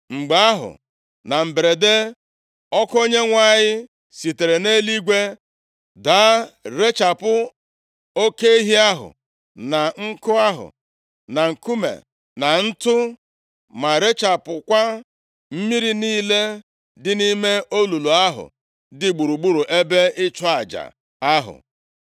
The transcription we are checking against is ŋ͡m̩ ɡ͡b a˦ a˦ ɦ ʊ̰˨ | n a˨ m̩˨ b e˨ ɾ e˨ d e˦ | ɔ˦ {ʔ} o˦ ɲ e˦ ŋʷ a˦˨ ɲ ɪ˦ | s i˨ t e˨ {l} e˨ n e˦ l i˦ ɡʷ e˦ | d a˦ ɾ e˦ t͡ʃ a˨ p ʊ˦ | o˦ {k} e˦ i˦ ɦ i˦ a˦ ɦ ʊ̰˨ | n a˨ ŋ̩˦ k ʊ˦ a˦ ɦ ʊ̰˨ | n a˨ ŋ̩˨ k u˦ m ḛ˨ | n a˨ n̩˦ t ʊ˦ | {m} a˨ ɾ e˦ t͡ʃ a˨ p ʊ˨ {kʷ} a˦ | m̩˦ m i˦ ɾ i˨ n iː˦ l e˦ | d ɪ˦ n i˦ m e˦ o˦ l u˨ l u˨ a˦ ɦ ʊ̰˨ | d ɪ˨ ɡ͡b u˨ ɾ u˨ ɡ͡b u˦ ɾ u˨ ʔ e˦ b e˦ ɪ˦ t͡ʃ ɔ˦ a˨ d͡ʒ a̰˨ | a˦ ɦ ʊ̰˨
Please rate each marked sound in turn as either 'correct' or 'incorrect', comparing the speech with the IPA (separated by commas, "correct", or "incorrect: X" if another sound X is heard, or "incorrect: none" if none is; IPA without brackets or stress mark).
incorrect: k, incorrect: ɾ, correct, correct, correct